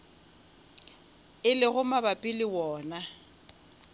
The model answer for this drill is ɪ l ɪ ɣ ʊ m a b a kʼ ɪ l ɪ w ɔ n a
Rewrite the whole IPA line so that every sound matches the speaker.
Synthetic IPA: ɪ l ɪ ɣ ʊ m a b a pʼ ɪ l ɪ w ɔː n a

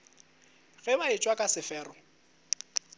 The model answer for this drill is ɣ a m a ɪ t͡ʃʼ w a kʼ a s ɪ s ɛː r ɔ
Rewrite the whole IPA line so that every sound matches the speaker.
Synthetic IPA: ɣ ɛ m a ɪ t͡ʃʼ w a kʼ a s ɪ f ɛː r ɔ

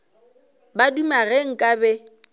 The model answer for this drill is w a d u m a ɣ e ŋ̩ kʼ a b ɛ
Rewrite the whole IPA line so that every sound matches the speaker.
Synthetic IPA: b a d u m a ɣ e ŋ̩ kʼ a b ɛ

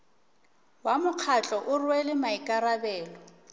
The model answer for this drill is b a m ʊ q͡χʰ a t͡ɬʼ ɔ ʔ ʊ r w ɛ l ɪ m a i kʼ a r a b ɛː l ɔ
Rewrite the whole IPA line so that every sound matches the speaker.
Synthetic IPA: w a m ʊ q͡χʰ a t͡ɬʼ ɔ ʔ ʊ r w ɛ l ɪ m a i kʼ a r a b ɛː l ɔ

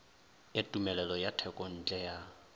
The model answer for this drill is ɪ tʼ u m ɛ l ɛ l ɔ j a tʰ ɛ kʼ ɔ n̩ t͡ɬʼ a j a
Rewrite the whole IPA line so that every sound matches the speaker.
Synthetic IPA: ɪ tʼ u m ɛ l ɛ l ɔ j a tʰ ɛ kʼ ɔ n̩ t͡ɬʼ ɛ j a

